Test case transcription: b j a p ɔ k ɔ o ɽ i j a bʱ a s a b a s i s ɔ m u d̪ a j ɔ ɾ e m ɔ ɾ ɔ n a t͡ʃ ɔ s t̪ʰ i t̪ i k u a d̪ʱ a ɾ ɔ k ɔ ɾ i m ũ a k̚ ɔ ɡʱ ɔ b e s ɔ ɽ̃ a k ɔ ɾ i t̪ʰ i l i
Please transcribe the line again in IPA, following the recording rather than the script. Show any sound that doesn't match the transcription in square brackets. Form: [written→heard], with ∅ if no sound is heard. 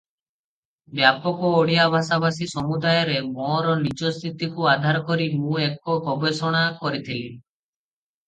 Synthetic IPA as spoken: b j a p ɔ k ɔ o ɽ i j a bʱ a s a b a s i s ɔ m u d̪ a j ɔ ɾ e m ɔ ɾ ɔ n [a→i] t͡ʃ ɔ s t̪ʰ i t̪ i k u a d̪ʱ a ɾ ɔ k ɔ ɾ i m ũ [a→e] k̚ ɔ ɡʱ ɔ b e s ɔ ɽ̃ a k ɔ ɾ i t̪ʰ i l i